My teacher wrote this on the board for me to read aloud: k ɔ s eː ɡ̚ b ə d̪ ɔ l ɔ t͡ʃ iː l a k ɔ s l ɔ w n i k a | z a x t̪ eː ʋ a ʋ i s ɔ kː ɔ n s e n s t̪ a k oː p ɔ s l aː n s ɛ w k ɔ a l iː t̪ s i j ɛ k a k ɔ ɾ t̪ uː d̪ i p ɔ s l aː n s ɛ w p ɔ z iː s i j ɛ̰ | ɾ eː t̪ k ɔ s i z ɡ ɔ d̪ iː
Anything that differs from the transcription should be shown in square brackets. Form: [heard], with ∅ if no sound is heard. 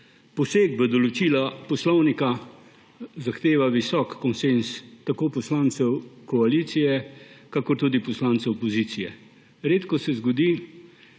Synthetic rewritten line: [p] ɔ s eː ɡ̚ b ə d̪ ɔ l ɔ t͡ʃ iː l a [p] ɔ s l ɔ w n i k a | z a x t̪ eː ʋ a ʋ i s ɔ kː ɔ n s e n s t̪ a k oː p ɔ s l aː n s ɛ w k ɔ a l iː t̪ s i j ɛ k a k ɔ ɾ t̪ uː d̪ i p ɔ s l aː n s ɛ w p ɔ z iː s i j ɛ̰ | ɾ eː t̪ k ɔ s [ɛ] z ɡ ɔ d̪ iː

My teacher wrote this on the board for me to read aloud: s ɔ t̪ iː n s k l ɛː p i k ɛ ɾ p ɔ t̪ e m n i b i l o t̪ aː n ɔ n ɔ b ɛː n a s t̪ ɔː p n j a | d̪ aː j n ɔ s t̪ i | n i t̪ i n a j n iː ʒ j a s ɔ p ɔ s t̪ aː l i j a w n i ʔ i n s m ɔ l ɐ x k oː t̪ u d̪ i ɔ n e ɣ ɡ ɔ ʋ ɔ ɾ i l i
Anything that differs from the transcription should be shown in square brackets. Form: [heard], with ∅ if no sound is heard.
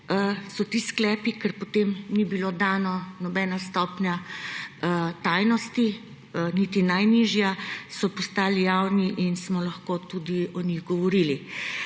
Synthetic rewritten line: s ɔ t̪ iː [∅] s k l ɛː p i k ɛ ɾ p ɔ t̪ e m n i b i l o [d̪] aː n ɔ n ɔ b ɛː n a s t̪ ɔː p n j a | [t̪] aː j n ɔ s t̪ i | n i t̪ i n a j n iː ʒ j a s ɔ p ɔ s t̪ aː l i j a w n i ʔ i n s m ɔ l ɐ x k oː t̪ u d̪ i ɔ n [i] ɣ ɡ ɔ ʋ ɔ ɾ i l i

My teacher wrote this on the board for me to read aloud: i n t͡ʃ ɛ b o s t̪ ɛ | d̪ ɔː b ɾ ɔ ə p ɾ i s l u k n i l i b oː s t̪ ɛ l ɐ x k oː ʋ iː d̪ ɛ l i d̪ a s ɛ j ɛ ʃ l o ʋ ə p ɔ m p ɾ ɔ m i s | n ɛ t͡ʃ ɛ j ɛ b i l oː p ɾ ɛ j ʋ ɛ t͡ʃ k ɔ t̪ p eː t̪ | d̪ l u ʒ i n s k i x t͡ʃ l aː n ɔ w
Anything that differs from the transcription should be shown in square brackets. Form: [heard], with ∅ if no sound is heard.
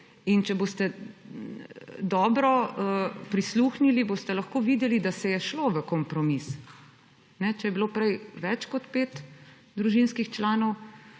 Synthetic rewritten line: i n t͡ʃ ɛ b o s t̪ ɛ | d̪ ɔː b ɾ ɔ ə p ɾ i s l u [x] n i l i b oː s t̪ ɛ l ɐ x k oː ʋ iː d̪ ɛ l i d̪ a s ɛ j ɛ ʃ l o ʋ ə [k] ɔ m p ɾ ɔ m i s | n ɛ t͡ʃ ɛ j ɛ b i l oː p ɾ ɛ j ʋ ɛ t͡ʃ k ɔ t̪ p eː t̪ | d̪ [ɾ] u ʒ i n s k i x t͡ʃ l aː n ɔ w

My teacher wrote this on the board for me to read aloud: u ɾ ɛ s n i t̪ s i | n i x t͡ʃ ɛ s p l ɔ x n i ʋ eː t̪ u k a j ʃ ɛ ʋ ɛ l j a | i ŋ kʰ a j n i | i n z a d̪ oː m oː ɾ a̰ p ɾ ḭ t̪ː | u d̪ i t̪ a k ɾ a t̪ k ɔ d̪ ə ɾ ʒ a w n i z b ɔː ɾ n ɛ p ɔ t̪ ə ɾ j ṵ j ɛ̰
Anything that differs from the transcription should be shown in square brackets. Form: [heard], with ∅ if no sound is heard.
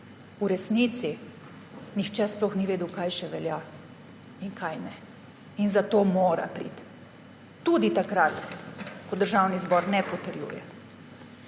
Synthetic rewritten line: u ɾ ɛ s n i t̪ s i | n i x t͡ʃ ɛ s p l ɔ x n i ʋ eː [d̪] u k a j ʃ ɛ ʋ ɛ l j a | i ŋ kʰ a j n [ɛ] | i n z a [t̪] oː m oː ɾ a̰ p ɾ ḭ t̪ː | u d̪ i t̪ a k ɾ a t̪ k ɔ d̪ ə ɾ ʒ a w n i z b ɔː ɾ n ɛ p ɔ t̪ ə ɾ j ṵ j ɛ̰

